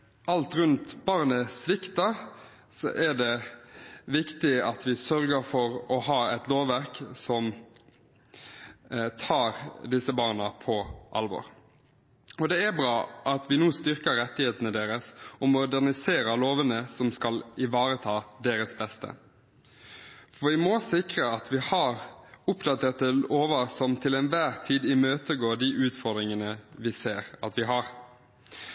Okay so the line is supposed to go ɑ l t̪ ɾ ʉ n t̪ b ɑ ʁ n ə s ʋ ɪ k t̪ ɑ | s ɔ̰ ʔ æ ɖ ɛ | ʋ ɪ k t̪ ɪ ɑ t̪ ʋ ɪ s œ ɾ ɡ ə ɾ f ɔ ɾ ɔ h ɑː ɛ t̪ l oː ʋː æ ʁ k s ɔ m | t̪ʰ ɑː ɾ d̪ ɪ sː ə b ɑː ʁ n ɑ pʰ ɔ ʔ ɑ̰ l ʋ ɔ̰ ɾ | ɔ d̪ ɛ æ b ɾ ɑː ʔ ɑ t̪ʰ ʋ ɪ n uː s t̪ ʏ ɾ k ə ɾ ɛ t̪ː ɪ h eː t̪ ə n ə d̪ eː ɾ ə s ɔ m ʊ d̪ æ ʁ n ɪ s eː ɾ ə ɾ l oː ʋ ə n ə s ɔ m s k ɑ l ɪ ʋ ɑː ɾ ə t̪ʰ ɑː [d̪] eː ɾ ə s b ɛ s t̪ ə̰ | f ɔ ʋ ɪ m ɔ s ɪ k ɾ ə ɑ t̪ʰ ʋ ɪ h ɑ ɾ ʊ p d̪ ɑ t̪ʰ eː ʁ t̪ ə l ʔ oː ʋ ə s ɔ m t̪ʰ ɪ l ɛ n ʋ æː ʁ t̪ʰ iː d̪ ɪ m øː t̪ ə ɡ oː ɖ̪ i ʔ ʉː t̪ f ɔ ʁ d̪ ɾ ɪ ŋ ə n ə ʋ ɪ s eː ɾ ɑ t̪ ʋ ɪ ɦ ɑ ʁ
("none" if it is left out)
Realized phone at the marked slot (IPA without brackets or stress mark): d̪